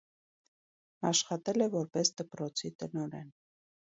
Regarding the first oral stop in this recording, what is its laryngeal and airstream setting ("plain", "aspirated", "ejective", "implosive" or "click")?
plain